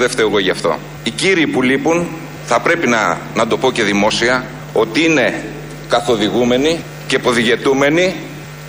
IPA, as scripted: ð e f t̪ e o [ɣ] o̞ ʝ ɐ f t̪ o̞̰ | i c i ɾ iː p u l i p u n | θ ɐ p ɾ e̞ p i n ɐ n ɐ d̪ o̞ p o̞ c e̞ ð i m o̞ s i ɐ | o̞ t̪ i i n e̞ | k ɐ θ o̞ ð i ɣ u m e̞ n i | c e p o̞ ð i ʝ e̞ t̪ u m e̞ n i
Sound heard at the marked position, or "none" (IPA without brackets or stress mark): ɣ